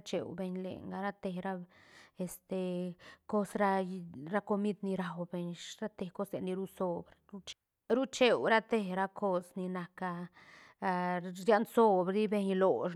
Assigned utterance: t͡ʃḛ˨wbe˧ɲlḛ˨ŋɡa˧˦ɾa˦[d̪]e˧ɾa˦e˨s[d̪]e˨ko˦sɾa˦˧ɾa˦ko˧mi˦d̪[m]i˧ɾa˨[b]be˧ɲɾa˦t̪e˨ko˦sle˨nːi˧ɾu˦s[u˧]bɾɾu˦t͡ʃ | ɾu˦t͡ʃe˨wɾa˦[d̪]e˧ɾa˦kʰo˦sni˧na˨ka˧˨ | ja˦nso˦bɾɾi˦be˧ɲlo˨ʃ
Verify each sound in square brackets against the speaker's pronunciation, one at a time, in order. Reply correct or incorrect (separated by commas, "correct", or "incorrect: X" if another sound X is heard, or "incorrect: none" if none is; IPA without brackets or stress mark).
incorrect: t̪, incorrect: t̪, incorrect: n, incorrect: w, incorrect: o˧, incorrect: t̪